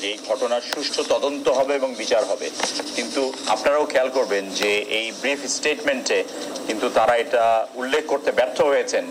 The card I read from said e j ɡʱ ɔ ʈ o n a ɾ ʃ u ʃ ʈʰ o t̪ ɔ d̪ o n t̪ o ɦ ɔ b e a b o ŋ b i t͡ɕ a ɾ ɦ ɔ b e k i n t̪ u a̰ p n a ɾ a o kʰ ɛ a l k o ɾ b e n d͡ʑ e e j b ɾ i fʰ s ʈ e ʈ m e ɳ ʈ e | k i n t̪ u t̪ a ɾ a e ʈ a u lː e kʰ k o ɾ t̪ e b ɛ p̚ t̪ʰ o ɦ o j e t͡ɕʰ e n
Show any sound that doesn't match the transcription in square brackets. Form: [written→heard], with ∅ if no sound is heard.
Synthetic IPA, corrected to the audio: e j ɡʱ ɔ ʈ o n a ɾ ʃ u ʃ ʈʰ o t̪ ɔ d̪ o n t̪ o ɦ ɔ b e [a→e] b o ŋ b i t͡ɕ a ɾ ɦ ɔ b e k i n t̪ u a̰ p n a ɾ a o kʰ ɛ a l k o ɾ b e n d͡ʑ e e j b ɾ i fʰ s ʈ e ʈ m e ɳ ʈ e | k i n t̪ u t̪ a ɾ a e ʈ a u lː e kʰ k o ɾ t̪ e b ɛ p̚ t̪ʰ o ɦ o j e t͡ɕʰ e n